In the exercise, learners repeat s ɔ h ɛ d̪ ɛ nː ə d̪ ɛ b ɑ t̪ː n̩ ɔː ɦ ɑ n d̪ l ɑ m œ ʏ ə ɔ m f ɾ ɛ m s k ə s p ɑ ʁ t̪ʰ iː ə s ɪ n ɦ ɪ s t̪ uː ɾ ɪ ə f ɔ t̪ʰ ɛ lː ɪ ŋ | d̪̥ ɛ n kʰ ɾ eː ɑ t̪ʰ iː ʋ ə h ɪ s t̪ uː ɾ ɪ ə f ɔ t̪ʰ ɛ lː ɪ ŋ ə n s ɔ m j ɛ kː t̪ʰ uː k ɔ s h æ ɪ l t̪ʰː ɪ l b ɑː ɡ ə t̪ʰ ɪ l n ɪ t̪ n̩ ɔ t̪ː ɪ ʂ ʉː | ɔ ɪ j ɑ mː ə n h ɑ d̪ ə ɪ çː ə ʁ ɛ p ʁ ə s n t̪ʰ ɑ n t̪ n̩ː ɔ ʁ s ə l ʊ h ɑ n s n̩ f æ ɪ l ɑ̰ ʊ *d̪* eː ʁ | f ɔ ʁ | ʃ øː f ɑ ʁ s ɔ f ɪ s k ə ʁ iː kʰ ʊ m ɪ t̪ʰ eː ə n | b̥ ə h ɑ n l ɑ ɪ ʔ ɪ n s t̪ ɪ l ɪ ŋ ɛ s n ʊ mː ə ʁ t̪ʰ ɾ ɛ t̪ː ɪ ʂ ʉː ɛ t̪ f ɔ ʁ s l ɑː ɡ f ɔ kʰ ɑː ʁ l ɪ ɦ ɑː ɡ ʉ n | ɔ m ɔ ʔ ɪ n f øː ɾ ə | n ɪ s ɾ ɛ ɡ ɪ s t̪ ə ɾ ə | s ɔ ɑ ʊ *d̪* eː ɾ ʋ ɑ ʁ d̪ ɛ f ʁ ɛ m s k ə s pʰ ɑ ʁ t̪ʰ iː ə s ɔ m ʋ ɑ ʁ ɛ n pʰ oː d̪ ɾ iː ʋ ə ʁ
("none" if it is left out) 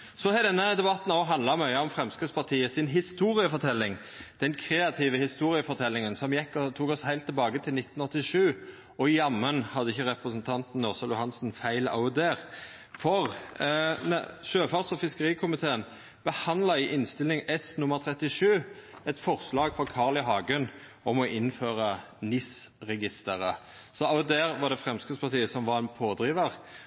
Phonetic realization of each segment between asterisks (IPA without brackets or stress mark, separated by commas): d̪, d̪